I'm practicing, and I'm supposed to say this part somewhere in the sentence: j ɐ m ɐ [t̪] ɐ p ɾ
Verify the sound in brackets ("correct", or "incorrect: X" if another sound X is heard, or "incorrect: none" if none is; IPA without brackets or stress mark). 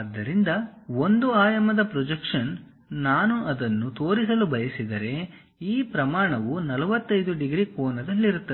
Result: incorrect: d̪